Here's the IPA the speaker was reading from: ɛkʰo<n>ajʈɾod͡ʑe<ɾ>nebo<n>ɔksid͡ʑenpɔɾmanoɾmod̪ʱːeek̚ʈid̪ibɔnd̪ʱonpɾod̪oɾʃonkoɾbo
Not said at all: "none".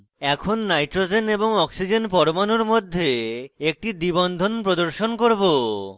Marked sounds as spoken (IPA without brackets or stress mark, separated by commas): nː, none, ŋ